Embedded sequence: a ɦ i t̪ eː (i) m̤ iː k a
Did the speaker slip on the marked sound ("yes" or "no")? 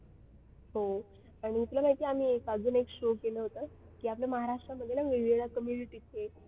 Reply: yes